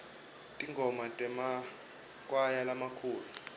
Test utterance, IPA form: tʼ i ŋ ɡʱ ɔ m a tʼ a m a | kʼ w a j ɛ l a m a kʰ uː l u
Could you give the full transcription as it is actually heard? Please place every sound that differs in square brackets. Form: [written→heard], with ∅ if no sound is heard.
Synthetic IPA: tʼ i ŋ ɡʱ ɔ m a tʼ [a→ɛ] m a | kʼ w a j [ɛ→a] l a m a kʰ uː l u